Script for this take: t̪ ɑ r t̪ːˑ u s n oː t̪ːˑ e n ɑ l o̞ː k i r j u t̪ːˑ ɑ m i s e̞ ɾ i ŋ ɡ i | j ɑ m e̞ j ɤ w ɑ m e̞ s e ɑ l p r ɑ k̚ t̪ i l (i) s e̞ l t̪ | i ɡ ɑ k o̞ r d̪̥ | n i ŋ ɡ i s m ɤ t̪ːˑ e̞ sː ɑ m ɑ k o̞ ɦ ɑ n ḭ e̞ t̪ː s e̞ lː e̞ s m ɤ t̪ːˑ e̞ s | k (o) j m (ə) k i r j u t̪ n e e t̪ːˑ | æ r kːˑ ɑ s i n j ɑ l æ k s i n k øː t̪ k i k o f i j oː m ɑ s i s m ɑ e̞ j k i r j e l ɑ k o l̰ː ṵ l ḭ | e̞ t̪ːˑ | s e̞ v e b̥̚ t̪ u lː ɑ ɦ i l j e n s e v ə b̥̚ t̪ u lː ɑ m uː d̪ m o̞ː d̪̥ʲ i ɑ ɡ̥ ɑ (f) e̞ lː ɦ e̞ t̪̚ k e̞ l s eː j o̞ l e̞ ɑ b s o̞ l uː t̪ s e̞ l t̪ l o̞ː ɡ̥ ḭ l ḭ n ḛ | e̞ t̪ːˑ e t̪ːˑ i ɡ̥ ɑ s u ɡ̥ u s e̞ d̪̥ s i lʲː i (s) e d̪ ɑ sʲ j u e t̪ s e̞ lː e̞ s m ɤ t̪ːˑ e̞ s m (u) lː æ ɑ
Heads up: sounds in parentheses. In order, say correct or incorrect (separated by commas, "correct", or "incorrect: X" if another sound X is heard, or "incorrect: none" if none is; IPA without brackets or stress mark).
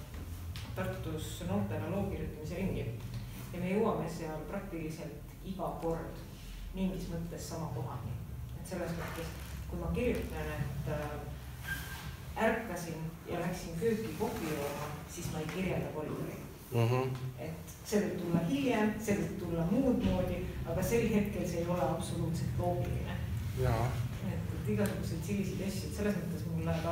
correct, incorrect: u, incorrect: ɑ, incorrect: s, correct, correct